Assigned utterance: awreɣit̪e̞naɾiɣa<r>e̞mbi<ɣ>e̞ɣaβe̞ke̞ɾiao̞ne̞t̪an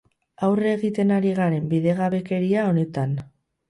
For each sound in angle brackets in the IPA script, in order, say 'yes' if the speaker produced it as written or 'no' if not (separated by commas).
no, no